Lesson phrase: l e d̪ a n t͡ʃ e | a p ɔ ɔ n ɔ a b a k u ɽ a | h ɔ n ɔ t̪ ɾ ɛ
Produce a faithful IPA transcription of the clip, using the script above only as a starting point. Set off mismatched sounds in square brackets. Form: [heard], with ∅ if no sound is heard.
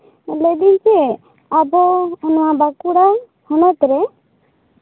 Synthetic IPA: l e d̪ [i] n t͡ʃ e | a [b] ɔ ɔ n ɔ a b a k u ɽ a | h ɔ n ɔ t̪ ɾ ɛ